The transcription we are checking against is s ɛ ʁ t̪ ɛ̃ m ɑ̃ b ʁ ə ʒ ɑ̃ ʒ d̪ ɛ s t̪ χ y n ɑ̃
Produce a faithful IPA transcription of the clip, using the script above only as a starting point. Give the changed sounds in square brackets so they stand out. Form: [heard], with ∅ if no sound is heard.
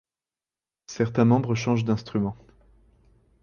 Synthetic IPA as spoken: s ɛ ʁ t̪ ɛ̃ m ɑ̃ b ʁ ə [ʃ] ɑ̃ ʒ d̪ [ɛ̃] s t̪ χ y [m] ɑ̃